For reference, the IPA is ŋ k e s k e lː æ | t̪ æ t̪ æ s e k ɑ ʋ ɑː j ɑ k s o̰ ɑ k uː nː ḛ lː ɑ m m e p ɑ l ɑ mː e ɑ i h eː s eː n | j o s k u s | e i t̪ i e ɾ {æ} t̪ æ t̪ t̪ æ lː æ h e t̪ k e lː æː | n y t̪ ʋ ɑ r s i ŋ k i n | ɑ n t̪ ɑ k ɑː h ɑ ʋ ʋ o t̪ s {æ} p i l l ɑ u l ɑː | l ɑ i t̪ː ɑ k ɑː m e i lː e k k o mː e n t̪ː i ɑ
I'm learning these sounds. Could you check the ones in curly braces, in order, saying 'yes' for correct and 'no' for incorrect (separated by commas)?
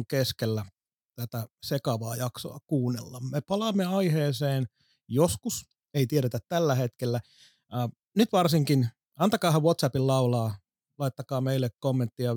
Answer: no, yes